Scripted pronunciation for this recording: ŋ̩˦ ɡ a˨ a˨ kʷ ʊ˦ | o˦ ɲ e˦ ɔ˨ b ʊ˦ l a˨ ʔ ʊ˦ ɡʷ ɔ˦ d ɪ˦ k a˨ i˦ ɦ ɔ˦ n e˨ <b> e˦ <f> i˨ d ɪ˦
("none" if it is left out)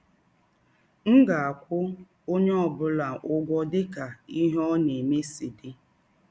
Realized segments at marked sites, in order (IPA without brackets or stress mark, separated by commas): m, s